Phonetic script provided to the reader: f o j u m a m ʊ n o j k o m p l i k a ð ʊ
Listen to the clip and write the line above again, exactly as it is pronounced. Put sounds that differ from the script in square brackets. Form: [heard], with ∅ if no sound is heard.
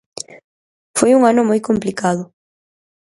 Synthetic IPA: f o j u [ŋ] a [n] ʊ [m] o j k o m p l i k a ð ʊ